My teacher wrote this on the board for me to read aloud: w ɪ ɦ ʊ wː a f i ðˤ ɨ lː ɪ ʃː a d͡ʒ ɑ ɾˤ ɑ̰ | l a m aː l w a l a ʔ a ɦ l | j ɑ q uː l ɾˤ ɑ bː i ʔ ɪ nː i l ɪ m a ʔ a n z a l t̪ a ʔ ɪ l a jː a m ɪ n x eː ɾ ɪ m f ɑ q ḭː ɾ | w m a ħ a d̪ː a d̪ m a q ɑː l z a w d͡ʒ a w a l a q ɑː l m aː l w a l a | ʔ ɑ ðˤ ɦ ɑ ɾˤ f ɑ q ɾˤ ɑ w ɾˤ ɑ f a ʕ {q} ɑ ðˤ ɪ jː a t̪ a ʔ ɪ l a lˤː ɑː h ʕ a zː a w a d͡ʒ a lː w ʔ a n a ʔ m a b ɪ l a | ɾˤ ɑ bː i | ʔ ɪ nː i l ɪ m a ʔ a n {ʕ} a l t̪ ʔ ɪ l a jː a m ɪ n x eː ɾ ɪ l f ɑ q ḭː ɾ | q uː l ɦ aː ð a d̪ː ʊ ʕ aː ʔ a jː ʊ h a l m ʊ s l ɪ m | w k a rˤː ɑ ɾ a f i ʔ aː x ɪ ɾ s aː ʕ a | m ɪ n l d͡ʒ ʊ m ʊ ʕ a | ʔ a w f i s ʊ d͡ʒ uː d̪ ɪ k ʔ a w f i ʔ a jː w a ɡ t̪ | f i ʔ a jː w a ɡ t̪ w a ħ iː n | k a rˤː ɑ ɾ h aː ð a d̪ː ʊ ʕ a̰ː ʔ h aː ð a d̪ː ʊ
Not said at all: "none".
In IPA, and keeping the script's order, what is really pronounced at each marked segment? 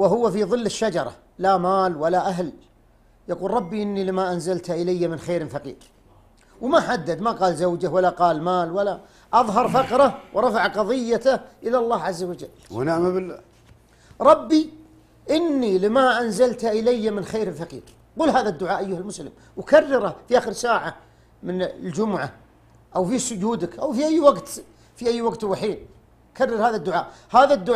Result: q, z

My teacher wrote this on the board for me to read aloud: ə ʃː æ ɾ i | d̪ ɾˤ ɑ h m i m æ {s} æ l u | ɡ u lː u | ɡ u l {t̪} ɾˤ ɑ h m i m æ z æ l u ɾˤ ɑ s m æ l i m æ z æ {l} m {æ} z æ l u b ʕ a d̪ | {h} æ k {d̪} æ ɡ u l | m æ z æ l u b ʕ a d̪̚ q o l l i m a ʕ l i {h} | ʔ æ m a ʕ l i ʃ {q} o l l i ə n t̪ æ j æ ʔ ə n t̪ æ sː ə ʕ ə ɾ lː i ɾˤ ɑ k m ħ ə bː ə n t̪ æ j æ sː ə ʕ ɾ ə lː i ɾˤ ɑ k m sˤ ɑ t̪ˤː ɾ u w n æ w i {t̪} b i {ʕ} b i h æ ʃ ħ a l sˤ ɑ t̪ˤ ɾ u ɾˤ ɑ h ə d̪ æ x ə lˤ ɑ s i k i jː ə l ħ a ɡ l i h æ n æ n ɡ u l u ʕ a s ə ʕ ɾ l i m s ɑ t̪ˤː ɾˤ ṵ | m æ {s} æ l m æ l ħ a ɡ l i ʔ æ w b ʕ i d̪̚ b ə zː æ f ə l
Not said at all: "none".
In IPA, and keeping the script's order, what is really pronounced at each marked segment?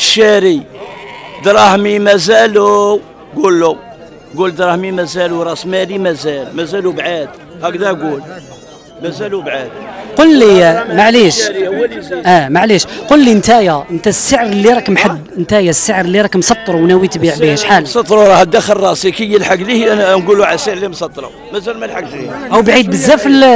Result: z, d̪, l, æ, h, d̪, ʃ, q, t̪, ʕ, z

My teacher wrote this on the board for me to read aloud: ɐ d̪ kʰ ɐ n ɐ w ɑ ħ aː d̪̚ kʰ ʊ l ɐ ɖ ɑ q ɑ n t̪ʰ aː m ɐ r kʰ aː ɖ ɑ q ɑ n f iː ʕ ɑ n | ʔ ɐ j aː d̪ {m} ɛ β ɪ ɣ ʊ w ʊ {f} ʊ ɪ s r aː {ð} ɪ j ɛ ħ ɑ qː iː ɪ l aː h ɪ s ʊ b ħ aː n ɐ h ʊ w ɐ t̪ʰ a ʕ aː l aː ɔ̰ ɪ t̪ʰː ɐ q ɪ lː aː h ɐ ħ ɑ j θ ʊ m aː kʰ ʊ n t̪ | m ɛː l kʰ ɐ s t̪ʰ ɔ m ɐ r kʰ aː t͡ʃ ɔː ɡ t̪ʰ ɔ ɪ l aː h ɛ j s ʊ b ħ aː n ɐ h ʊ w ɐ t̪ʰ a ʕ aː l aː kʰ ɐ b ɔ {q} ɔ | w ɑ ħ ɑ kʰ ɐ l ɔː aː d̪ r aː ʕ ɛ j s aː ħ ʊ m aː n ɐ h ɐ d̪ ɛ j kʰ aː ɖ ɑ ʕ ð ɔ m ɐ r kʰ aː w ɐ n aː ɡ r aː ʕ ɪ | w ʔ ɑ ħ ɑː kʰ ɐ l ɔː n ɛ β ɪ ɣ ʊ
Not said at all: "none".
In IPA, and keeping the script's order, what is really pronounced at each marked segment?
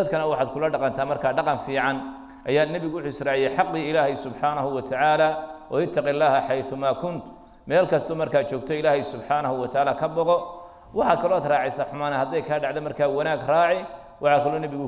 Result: n, ħ, ʕ, q

